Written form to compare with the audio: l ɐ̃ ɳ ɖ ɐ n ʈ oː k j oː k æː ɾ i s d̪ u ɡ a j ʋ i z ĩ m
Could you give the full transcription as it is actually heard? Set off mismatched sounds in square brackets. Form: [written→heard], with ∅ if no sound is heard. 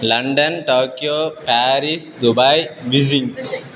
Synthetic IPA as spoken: l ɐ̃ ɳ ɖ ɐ n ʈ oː k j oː [k→p] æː ɾ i s d̪ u [ɡ→b] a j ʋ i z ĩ [m→ŋ]